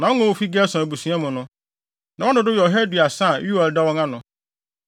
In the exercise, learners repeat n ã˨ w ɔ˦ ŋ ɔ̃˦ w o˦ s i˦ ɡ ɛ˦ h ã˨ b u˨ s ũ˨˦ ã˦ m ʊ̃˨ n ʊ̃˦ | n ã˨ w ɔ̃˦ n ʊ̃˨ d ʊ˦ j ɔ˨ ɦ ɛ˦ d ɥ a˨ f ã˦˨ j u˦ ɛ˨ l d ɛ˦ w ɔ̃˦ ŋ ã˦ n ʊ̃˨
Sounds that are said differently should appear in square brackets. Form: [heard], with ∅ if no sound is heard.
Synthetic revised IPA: n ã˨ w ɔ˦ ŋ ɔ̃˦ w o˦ [f] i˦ ɡ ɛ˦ [s] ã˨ b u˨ s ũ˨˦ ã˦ m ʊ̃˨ n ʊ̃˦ | n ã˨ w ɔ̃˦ n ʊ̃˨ d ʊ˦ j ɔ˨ ɦ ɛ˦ d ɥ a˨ [s] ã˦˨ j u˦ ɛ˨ l d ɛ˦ w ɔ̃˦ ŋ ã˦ n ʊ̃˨